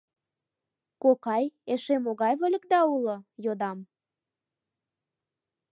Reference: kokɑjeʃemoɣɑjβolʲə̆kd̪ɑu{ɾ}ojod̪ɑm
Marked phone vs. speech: incorrect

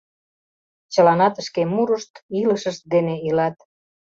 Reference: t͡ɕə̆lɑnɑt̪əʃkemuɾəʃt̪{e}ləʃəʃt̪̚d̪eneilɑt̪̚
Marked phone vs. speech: incorrect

